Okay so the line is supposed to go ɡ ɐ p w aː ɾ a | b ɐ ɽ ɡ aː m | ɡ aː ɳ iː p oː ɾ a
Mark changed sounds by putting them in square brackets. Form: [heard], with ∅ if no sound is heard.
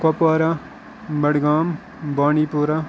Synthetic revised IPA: [k] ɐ p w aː ɾ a | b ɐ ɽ ɡ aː m | [b] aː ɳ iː p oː ɾ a